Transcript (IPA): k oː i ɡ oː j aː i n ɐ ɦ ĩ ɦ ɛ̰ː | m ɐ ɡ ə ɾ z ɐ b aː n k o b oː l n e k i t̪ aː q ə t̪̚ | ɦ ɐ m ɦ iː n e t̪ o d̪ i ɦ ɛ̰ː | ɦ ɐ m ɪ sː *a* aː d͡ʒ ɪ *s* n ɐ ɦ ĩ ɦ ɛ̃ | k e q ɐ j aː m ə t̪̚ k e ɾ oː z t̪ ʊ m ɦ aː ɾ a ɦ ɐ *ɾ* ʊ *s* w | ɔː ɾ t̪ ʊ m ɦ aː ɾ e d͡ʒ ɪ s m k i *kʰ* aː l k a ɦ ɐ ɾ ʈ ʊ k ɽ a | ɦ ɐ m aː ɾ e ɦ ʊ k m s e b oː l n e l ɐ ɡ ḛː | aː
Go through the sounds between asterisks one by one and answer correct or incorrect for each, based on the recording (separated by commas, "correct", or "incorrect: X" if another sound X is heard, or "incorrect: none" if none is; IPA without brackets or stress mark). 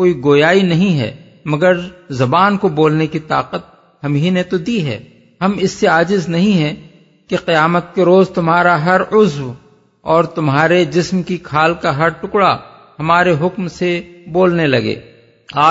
incorrect: e, incorrect: z, correct, incorrect: z, correct